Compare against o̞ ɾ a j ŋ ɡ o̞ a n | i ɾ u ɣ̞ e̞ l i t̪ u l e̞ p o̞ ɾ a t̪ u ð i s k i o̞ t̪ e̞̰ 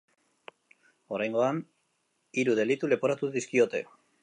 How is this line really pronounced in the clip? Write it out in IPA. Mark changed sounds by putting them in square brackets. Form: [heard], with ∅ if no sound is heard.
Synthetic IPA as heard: o̞ ɾ a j ŋ ɡ o̞ a n | i ɾ u [ð̞] e̞ l i t̪ u l e̞ p o̞ ɾ a t̪ u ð i s k i o̞ t̪ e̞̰